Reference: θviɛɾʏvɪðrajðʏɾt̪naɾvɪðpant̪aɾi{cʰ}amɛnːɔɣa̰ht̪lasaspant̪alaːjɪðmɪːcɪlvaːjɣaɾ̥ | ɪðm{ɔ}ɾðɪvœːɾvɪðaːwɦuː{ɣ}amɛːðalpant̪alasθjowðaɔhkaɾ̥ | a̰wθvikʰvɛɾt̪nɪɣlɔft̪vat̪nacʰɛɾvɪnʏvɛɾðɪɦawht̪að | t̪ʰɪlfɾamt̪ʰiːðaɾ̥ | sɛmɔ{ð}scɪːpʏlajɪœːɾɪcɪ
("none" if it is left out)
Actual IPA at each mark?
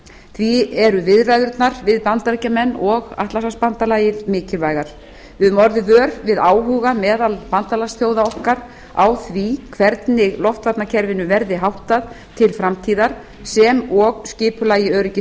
c, ɔ, ɣ, ɣ

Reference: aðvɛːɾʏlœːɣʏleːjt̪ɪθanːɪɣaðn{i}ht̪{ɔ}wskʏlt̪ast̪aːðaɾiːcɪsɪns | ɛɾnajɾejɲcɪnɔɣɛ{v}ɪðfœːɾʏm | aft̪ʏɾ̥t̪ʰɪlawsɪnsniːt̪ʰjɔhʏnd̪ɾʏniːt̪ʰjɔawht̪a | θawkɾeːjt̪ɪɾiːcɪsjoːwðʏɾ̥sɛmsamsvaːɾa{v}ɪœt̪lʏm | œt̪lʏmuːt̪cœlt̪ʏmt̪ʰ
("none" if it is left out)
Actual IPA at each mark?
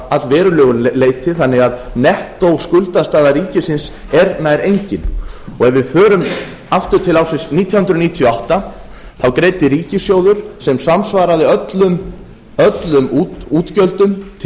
ɛ, o, v, ð

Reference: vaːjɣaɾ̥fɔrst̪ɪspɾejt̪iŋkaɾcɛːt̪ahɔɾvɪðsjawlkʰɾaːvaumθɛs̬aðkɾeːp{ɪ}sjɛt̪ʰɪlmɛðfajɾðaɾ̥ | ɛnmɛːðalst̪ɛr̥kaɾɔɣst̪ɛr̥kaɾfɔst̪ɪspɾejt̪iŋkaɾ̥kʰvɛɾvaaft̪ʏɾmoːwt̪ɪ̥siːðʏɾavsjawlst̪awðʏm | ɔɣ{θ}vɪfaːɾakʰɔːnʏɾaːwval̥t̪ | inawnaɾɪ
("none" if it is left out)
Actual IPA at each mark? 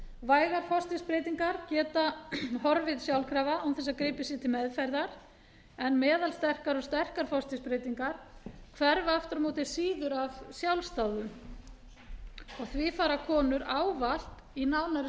ɪ, θ

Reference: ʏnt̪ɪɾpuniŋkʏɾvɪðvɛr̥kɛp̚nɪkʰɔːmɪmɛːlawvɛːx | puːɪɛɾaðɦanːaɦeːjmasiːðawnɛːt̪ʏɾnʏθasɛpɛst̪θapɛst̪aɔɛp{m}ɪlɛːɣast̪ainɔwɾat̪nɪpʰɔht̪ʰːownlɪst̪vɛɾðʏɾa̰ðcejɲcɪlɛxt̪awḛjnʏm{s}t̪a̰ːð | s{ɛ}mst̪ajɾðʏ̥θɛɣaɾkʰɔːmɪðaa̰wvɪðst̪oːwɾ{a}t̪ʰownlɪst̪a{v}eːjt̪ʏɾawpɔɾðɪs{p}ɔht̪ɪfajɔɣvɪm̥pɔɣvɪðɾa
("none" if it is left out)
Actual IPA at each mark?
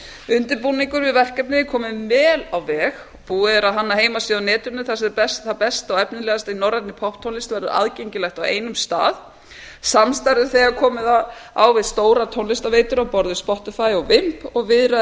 n, s, a, a, v, p

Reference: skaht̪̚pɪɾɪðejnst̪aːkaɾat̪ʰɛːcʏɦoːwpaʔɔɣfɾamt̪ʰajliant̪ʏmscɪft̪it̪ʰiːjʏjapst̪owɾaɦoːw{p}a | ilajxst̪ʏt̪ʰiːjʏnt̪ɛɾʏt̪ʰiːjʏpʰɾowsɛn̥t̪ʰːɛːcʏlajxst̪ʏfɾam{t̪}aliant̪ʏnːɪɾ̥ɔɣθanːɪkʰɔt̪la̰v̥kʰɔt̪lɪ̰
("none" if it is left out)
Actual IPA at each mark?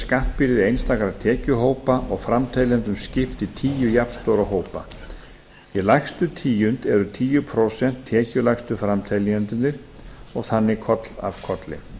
p, t̪ʰ

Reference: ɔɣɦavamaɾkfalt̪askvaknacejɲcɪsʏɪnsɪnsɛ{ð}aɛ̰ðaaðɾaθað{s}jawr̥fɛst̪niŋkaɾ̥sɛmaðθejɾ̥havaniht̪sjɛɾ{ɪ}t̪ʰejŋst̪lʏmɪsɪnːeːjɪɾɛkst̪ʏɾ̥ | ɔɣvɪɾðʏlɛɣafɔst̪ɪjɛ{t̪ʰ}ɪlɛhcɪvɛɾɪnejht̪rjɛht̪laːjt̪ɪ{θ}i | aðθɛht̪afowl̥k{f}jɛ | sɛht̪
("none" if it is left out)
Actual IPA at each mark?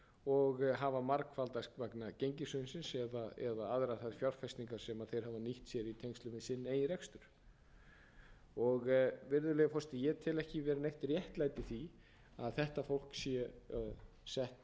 ð, f, i, t̪ʰ, θ, s

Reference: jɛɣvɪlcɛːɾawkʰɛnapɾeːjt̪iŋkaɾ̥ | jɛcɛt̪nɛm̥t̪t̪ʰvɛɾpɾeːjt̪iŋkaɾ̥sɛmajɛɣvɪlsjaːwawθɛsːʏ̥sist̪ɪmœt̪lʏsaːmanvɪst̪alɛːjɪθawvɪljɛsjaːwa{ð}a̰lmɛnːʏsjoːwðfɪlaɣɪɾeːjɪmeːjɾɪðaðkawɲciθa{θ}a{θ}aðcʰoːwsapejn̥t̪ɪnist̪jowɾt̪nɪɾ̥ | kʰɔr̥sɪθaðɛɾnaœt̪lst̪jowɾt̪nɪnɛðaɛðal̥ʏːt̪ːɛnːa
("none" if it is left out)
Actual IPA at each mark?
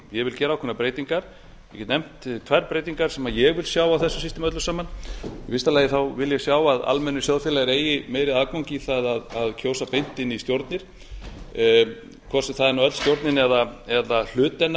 ð, ð, ð

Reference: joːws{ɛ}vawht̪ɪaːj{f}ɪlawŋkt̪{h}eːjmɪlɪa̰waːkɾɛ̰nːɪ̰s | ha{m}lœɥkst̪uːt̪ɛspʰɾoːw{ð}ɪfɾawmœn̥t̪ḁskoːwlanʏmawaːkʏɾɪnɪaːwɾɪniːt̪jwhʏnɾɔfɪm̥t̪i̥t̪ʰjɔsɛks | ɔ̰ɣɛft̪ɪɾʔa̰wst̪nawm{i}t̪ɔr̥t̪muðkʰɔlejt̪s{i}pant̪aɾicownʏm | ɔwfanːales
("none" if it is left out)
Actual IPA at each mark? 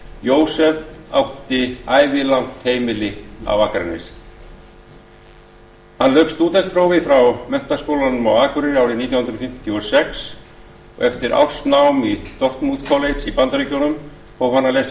ɛ, v, h, n, v, i, i

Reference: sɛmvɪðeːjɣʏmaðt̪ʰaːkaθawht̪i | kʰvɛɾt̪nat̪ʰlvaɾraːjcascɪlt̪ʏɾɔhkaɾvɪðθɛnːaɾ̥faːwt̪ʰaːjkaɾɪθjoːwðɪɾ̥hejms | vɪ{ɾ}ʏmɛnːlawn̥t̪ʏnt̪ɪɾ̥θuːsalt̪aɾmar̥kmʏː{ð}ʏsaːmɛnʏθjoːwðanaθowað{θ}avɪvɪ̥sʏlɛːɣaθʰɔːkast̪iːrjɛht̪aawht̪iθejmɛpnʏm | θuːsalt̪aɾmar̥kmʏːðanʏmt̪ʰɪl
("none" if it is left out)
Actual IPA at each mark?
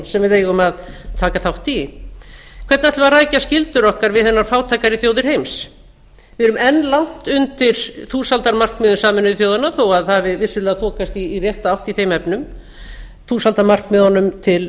ɾ, ð, θ

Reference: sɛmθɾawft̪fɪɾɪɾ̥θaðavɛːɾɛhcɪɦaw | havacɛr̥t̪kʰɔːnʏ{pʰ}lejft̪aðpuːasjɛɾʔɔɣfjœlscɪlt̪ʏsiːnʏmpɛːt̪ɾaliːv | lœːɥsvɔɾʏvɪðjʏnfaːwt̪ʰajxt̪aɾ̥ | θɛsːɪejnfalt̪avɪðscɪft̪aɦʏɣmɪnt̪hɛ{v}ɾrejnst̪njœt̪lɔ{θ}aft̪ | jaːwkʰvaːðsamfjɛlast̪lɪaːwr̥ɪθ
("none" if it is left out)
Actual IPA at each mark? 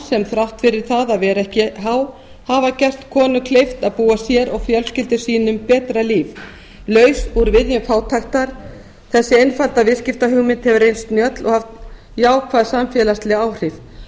kʰ, v, h

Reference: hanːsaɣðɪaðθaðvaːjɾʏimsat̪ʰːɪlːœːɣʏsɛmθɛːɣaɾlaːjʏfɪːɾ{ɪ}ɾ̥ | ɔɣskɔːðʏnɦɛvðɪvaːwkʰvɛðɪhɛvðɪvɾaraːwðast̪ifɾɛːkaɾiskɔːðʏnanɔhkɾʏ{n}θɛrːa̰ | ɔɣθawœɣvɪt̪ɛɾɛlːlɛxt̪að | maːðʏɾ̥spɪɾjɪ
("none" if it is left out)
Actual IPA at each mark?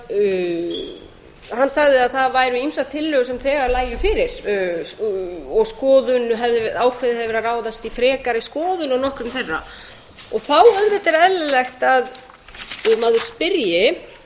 ɪ, m

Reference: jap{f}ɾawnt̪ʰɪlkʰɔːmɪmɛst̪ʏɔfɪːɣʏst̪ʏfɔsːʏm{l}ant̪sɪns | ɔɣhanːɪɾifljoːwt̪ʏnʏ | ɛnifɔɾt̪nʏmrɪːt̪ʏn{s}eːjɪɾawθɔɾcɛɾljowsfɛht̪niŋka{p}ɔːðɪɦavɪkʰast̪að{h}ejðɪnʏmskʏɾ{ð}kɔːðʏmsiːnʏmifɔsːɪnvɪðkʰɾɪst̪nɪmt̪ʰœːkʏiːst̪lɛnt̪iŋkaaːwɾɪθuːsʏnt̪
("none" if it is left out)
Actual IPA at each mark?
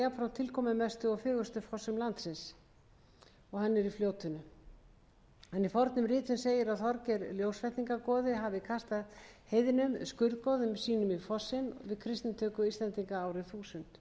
f, l, s, k, h, ð

